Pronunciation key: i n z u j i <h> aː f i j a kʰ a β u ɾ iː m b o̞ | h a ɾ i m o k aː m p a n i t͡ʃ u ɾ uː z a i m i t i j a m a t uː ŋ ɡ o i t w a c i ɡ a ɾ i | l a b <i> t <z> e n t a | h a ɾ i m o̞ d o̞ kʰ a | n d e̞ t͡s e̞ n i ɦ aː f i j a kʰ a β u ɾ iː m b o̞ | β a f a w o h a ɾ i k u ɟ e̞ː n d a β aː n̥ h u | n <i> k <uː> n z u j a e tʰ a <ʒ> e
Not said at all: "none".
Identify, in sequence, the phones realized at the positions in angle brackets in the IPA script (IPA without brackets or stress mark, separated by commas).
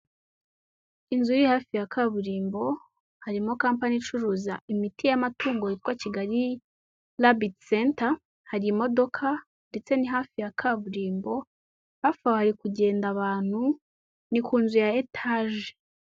h, i, s, i, uː, ʒ